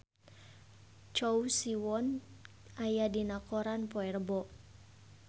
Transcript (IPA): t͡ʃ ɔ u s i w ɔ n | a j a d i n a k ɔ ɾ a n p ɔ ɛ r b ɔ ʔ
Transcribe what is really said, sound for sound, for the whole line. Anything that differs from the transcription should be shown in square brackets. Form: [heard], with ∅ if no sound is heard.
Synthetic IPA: t͡ʃ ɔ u s i w ɔ n | a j a d i n a k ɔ ɾ a n p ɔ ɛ r b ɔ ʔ